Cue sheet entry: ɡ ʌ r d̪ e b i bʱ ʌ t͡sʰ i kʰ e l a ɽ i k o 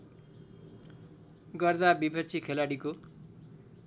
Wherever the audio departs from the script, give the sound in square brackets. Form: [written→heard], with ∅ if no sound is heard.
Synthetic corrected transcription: ɡ ʌ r d̪ [e→a] b i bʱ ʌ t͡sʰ i kʰ e l a ɽ i k o